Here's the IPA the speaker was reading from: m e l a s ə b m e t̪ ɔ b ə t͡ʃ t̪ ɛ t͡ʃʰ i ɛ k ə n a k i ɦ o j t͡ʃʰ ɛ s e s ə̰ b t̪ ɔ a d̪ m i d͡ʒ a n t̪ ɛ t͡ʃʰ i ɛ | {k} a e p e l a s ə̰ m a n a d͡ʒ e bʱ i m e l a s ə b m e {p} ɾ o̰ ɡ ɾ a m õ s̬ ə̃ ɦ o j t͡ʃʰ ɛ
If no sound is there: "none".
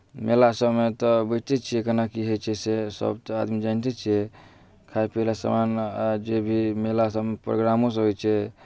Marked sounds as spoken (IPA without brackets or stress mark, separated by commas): kʰ, p